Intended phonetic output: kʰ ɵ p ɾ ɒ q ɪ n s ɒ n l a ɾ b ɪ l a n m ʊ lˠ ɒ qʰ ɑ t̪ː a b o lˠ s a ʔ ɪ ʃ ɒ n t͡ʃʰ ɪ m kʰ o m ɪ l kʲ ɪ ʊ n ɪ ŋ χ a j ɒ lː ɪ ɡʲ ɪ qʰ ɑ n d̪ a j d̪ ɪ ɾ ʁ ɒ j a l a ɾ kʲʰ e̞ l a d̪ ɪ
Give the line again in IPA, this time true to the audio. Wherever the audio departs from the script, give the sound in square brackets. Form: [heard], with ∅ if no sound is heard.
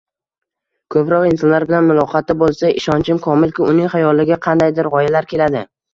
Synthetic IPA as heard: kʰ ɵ p ɾ ɒ q ɪ n s ɒ n l a ɾ b ɪ l a n m ʊ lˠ ɒ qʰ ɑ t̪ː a b o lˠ s a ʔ ɪ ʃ ɒ n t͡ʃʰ ɪ m kʰ [ɒ] m ɪ l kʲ ɪ ʊ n ɪ ŋ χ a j ɒ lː ɪ ɡʲ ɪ qʰ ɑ n d̪ a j d̪ ɪ ɾ ʁ ɒ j a l a ɾ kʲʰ e̞ l a d̪ ɪ